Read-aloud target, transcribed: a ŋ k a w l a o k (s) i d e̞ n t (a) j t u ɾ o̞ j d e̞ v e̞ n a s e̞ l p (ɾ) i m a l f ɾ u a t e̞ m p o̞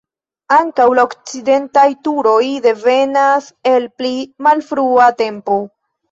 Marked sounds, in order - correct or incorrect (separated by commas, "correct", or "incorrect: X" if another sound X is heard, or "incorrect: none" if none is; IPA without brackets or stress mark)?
incorrect: t͡s, correct, incorrect: l